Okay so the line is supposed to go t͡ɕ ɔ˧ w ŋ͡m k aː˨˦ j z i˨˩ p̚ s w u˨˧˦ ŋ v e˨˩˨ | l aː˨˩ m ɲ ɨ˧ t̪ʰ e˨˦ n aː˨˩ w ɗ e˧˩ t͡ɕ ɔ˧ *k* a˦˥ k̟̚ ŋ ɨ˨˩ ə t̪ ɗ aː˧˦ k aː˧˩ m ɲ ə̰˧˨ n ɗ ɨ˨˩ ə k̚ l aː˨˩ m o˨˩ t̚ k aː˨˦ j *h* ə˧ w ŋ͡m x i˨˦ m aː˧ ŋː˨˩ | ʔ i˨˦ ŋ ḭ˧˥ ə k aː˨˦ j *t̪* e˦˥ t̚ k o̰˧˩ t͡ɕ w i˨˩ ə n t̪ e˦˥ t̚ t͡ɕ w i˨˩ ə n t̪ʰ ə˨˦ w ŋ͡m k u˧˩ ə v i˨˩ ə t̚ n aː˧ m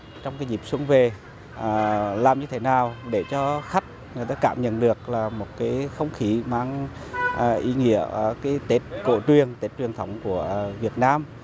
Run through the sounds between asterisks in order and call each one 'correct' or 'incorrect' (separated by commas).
incorrect, incorrect, correct